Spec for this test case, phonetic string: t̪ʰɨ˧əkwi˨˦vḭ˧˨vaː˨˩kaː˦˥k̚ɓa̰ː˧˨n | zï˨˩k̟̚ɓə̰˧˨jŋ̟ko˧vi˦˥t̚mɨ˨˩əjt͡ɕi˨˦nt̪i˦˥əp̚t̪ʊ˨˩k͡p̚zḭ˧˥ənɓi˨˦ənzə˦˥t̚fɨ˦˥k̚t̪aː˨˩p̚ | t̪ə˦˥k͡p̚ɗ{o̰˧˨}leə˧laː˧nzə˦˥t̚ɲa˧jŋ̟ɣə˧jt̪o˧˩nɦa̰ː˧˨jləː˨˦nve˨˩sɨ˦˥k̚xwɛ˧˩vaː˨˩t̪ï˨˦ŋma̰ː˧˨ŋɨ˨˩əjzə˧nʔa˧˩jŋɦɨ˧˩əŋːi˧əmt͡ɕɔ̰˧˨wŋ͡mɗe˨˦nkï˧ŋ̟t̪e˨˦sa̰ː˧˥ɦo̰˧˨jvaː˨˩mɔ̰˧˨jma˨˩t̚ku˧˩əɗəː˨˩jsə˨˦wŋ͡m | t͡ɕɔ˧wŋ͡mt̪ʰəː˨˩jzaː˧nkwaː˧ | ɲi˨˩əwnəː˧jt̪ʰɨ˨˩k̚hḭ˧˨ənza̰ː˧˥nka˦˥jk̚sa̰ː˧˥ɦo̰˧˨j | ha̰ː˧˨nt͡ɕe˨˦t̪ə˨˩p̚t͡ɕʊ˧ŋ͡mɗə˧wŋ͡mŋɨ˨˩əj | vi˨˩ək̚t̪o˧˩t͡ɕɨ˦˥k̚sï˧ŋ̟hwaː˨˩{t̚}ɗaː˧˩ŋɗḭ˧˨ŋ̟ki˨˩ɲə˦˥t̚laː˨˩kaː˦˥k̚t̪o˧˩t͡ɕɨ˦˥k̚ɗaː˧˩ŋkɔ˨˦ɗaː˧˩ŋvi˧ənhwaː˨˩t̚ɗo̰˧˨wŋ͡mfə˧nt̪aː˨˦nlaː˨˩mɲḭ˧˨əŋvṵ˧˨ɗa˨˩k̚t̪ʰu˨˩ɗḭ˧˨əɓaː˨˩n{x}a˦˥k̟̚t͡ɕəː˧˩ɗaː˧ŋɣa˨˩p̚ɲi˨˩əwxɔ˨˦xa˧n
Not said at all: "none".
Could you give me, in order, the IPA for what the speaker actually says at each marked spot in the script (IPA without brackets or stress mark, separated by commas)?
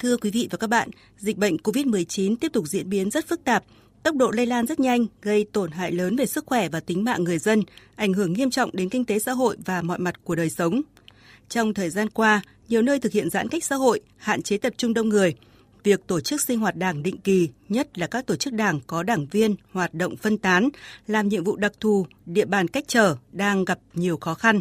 o̰˧˨, t̚, k